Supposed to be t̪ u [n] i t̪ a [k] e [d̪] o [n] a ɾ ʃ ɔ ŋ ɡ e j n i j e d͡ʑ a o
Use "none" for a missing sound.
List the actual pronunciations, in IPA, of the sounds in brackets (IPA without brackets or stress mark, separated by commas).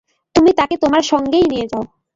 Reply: m, k, t̪, m